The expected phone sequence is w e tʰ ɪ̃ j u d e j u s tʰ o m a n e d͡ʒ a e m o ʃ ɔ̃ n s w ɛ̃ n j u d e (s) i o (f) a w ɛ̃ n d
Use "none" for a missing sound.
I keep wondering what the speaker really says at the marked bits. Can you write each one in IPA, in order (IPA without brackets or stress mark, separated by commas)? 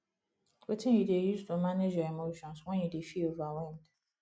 f, v